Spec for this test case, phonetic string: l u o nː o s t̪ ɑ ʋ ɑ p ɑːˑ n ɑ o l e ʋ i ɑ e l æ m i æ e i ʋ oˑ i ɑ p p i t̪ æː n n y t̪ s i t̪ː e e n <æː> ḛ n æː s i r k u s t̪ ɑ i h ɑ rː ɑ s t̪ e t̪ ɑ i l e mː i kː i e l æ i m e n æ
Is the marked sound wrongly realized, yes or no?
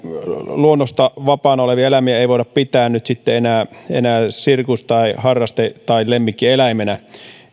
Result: no